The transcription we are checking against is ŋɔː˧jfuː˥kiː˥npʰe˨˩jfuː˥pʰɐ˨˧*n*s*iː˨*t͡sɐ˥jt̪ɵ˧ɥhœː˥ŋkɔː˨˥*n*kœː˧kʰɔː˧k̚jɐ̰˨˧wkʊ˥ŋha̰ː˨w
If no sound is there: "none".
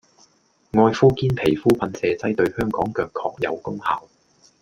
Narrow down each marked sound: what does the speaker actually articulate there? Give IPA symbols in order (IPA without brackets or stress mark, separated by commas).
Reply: n, ɛː˨, ŋ